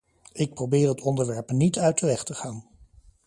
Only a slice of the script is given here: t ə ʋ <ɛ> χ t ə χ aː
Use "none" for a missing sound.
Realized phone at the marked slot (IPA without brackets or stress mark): ɛ